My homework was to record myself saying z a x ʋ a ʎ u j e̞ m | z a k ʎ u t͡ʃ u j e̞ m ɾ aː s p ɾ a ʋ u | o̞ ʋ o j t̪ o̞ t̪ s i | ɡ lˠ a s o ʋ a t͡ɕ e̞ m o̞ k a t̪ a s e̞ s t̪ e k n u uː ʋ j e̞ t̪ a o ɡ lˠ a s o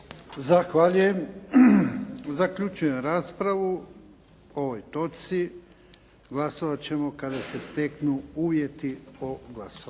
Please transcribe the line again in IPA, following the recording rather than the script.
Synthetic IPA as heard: z a x ʋ a ʎ u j e̞ m | z a k ʎ u t͡ʃ u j e̞ m ɾ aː s p ɾ a ʋ u | o̞ ʋ o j t̪ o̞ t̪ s i | ɡ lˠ a s o ʋ a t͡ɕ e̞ m o̞ k a d̪ a s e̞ s t̪ e k n u uː ʋ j e̞ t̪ i o ɡ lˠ a s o